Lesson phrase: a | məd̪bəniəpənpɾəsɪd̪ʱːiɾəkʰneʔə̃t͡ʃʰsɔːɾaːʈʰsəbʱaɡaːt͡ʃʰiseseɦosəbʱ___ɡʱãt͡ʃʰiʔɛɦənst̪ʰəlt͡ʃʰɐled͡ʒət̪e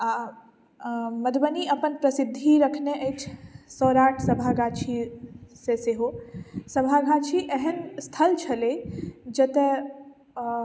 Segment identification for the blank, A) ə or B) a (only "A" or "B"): B